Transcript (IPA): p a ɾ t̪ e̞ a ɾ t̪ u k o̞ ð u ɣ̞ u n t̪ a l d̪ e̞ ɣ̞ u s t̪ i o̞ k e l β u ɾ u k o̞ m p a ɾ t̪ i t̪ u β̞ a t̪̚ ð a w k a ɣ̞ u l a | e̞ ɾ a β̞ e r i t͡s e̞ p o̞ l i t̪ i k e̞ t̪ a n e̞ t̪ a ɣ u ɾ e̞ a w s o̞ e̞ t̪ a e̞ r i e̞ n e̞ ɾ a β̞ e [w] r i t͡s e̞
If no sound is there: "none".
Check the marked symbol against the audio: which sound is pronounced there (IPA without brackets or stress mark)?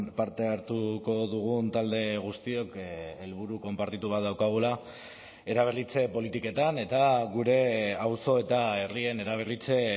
none